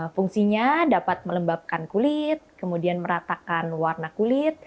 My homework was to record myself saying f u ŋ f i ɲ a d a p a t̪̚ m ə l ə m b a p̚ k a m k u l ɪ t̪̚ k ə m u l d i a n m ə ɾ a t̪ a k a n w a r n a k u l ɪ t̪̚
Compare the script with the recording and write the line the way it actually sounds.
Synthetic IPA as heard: f u ŋ s i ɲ a d a p a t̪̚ m ə l ə m b a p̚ k a n k u l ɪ t̪̚ k ə m u d i a n m ə ɾ a t̪ a k a n w a r n a k u l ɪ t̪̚